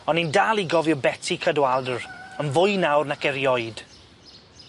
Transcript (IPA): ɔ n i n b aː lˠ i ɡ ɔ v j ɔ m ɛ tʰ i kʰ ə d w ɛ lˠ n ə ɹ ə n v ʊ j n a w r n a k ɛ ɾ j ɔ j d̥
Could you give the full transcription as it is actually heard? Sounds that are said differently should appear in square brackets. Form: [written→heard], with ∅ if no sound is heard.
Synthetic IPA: ɔ n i n [b→d] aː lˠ i ɡ ɔ v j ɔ [m→b] ɛ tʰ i kʰ ə d w [ɛ→a] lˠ [n→d] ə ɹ ə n v ʊ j n a w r n a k ɛ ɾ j ɔ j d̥

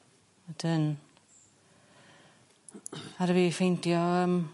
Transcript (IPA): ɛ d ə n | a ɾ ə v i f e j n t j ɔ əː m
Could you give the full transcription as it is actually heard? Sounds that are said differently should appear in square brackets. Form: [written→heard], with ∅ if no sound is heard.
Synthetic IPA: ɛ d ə n | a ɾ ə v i f e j n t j ɔ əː m

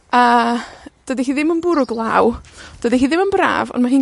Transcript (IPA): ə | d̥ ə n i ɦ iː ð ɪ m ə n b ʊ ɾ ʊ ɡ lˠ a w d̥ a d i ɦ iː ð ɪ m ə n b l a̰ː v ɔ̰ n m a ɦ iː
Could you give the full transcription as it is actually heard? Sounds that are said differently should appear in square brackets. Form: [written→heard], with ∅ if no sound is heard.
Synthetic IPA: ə | d̥ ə [n→d] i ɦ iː ð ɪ m ə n b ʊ ɾ ʊ ɡ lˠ a w d̥ [a→ə] d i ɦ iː ð ɪ m ə n b [l→r] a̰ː v ɔ̰ n m a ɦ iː

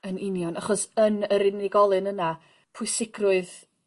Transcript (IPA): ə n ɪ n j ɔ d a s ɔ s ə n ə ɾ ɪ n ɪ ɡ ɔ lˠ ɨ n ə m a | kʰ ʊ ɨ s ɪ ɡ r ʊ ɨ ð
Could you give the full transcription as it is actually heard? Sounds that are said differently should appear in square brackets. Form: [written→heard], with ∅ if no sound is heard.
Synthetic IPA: ə n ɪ n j ɔ [d→n] a [s→χ] ɔ s ə n ə ɾ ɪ n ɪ ɡ ɔ lˠ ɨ n ə [m→n] a | [kʰ→pʰ] ʊ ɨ s ɪ ɡ r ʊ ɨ ð

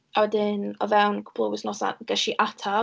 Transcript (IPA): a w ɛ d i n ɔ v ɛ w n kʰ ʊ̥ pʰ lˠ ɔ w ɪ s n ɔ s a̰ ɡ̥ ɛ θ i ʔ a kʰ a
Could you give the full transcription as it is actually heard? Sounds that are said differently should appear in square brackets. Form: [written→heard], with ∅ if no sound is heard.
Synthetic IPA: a w ɛ d [i→ɪ] n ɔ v ɛ w n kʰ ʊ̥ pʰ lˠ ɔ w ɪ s n ɔ s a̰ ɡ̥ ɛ [θ→ʃ] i ʔ a [kʰ→tʰ] a

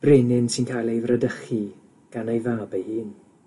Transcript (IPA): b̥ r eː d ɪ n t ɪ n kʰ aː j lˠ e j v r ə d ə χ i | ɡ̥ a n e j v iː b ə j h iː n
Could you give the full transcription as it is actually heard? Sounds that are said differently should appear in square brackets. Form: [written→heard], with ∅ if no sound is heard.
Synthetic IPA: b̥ r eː [d→n] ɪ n [t→s] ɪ n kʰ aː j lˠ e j v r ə d ə χ i | ɡ̥ a n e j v [iː→aː] b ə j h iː n

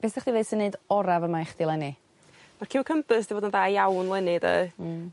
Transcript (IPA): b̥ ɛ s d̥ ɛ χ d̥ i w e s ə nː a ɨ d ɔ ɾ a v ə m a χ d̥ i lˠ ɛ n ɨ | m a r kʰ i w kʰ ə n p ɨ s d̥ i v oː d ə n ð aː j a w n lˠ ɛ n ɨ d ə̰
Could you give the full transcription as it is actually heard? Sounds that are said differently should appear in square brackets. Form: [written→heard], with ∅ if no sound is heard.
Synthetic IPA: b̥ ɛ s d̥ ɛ χ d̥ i [w→v] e s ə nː [a→e] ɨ d ɔ ɾ a v ə m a χ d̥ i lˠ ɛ n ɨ | m a r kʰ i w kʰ ə [n→m] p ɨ s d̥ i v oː d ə n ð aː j a w n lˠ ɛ n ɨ d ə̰

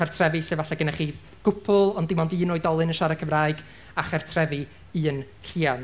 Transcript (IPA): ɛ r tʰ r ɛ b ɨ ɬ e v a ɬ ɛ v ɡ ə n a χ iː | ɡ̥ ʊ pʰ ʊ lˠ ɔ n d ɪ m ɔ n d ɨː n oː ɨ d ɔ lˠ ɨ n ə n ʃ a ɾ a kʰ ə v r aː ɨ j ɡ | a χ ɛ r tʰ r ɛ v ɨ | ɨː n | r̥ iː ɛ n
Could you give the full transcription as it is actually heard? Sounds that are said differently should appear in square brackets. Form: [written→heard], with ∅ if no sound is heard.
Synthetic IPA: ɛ r tʰ r ɛ [b→v] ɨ ɬ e v a ɬ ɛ [v→∅] ɡ ə n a χ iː | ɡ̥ ʊ pʰ ʊ lˠ ɔ n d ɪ m ɔ n d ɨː n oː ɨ d ɔ lˠ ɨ n ə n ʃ a ɾ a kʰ ə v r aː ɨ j ɡ | a χ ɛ r tʰ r ɛ v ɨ | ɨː n | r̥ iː [ɛ→a] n

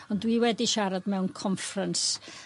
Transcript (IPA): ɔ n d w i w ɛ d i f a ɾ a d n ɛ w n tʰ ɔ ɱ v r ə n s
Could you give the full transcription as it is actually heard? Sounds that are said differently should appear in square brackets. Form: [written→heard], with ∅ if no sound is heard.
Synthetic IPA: ɔ n d w i w ɛ d i [f→ʃ] a ɾ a d [n→m] ɛ w n [tʰ→kʰ] ɔ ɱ [v→f] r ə n s

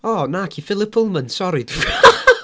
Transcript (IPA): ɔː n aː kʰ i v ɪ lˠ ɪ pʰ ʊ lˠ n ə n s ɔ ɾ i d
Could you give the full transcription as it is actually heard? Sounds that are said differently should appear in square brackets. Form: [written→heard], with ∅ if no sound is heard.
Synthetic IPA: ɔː n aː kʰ i [v→f] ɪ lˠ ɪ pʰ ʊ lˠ [n→m] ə n s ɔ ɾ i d

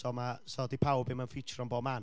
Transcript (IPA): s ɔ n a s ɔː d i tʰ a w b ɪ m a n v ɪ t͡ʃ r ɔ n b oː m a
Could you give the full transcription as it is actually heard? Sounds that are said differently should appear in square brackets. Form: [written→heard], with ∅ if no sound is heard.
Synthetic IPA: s ɔ [n→m] a s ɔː d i [tʰ→pʰ] a w b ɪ m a n [v→f] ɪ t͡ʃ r ɔ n b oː m a

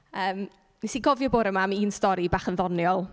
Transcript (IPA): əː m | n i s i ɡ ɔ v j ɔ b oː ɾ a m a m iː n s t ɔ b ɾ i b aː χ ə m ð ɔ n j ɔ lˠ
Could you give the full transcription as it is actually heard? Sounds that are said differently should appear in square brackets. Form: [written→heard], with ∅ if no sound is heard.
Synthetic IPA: əː m | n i s i ɡ ɔ v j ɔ b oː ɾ [a→ə] m a m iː n s t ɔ [b→∅] ɾ i b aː χ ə [m→n] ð ɔ n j ɔ lˠ

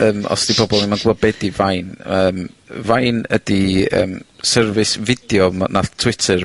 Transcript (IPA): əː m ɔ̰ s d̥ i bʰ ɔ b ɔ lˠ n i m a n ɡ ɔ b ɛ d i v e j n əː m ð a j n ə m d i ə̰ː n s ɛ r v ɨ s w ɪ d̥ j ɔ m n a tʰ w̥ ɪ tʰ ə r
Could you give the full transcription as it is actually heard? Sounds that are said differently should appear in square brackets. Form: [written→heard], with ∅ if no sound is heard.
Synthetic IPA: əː m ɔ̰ s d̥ i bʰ ɔ b ɔ lˠ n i m a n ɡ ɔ b ɛ d i v [e→a] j n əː m [ð→v] a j n ə [m→∅] d i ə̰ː [n→m] s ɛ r v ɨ s [w→v] ɪ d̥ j ɔ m n a tʰ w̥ ɪ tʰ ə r

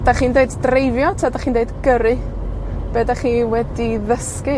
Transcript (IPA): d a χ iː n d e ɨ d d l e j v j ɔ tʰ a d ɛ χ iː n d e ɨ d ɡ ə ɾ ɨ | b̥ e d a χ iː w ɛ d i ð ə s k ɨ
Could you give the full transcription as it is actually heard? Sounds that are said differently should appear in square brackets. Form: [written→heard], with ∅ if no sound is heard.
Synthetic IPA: d a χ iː n d e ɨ d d [l→r] e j v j ɔ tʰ a d [ɛ→a] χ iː n d e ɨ d ɡ ə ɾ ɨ | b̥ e d a χ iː w ɛ d i ð ə s k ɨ

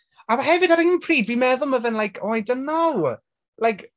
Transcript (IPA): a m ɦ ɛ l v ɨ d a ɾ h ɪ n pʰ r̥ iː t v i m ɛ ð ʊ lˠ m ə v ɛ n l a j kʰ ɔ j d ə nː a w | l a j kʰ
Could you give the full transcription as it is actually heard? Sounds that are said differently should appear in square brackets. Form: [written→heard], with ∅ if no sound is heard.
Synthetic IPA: a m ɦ ɛ [l→∅] v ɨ d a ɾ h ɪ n pʰ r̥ iː [t→d] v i m ɛ ð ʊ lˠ m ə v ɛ n l a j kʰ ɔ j d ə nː a w | l a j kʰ

